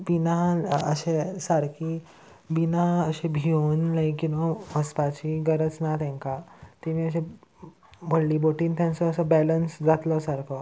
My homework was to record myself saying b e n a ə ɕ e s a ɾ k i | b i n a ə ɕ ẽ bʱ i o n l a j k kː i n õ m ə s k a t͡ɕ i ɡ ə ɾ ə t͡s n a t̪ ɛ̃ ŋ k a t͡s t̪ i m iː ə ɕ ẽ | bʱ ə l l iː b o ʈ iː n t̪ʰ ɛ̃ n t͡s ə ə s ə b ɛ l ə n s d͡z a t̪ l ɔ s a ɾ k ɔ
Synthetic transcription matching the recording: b i n a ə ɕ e s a ɾ k i | b i n a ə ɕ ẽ bʱ i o n l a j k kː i n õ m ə s p a t͡ɕ i ɡ ə ɾ ə t͡s n a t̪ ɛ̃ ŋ k a t̪ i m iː ə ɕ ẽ | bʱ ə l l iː b o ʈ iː n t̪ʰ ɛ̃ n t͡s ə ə s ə b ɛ l ə n s d͡z a t̪ l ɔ s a ɾ k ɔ